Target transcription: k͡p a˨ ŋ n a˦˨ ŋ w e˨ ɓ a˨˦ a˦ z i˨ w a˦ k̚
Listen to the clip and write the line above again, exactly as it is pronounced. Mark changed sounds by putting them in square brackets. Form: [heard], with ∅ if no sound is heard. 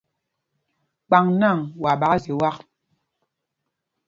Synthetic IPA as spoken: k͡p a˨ ŋ n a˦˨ ŋ w [a˨] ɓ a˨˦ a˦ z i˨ w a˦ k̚